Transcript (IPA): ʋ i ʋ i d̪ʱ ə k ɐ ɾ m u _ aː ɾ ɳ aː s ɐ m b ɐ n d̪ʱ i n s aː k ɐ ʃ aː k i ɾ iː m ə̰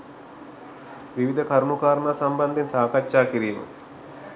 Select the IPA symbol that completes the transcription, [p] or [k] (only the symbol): k